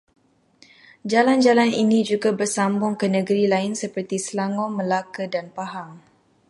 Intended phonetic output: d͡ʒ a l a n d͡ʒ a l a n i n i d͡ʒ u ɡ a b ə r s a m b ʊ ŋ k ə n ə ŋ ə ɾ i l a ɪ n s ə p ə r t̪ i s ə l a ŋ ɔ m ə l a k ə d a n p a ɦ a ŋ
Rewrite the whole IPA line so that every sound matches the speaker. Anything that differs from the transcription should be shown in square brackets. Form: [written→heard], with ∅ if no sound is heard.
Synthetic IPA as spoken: d͡ʒ a l a n d͡ʒ a l a n i n i d͡ʒ u ɡ a b ə r s a m b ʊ ŋ k ə n ə [ŋ→ɡ] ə ɾ i l a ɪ n s ə p ə r t̪ i s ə l a ŋ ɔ m ə l a k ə d a n p a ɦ a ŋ

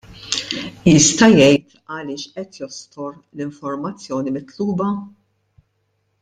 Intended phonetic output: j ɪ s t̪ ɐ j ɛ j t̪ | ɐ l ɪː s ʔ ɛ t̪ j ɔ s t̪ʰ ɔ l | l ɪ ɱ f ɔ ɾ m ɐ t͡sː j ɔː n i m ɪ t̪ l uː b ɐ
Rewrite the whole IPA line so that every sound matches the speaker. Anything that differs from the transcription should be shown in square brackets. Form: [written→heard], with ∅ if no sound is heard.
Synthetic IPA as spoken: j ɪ s t̪ ɐ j ɛ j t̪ | ɐ l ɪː [s→ʃ] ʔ ɛ t̪ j ɔ s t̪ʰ ɔ [l→ɾ] | l ɪ ɱ f ɔ ɾ m ɐ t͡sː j ɔː n i m ɪ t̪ l uː b ɐ

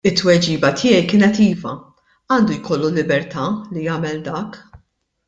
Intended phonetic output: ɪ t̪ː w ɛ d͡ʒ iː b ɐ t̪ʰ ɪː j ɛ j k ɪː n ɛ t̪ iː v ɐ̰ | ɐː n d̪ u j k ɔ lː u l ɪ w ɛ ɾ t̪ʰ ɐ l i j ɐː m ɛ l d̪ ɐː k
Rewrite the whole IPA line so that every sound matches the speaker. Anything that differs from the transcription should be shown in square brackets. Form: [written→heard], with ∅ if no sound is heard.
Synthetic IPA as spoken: ɪ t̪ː w ɛ d͡ʒ iː b ɐ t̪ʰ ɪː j ɛ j k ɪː n ɛ t̪ iː v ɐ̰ | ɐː n d̪ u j k ɔ lː u l ɪ [w→b] ɛ ɾ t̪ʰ ɐ l i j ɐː m ɛ l d̪ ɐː k

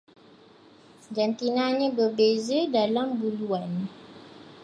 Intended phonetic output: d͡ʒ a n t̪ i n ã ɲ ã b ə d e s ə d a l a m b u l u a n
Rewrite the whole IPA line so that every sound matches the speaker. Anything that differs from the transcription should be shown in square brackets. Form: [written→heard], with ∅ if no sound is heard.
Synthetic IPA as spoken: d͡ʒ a n t̪ i n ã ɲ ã b ə [d→b] e [s→z] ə d a l a m b u l u a n

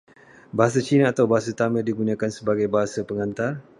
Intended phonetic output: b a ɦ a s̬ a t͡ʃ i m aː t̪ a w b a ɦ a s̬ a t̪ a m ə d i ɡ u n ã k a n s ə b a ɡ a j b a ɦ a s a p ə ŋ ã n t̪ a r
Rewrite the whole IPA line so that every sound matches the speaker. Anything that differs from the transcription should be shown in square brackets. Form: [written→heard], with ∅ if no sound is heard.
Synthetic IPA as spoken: b a ɦ a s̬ a t͡ʃ i [m→n] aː t̪ a w b a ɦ a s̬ a t̪ a m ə d i ɡ u n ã k a n s ə b a ɡ a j b a ɦ a s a p ə ŋ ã n t̪ a r

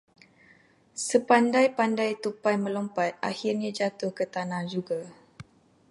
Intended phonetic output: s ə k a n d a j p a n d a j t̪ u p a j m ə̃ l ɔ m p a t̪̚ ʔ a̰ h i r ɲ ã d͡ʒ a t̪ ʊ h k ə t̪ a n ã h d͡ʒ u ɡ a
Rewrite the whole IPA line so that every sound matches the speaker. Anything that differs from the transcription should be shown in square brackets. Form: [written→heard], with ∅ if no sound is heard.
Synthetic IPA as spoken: s ə [k→p] a n d a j p a n d a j t̪ u p a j m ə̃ l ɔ m p a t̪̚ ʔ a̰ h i r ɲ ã d͡ʒ a t̪ ʊ h k ə t̪ a n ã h d͡ʒ u ɡ a

